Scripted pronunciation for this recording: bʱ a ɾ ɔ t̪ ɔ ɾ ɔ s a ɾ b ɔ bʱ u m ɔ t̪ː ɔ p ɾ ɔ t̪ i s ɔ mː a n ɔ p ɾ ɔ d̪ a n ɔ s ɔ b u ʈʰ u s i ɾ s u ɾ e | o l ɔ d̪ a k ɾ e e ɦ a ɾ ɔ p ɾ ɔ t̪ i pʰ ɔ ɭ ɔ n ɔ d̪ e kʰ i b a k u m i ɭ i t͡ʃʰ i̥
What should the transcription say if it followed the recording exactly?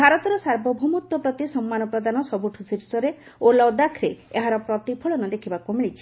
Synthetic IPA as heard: bʱ a ɾ ɔ t̪ ɔ ɾ ɔ s a ɾ b ɔ bʱ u m u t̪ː ɔ p ɾ ɔ t̪ i s ɔ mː a n ɔ p ɾ ɔ d̪ a n ɔ s ɔ b u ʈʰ u s i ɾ s ɔ ɾ e | o l ɔ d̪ a kʰ ɾ e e ɦ a ɾ ɔ p ɾ ɔ t̪ i pʰ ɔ ɭ ɔ n ɔ d̪ e kʰ i b a k u m i ɭ i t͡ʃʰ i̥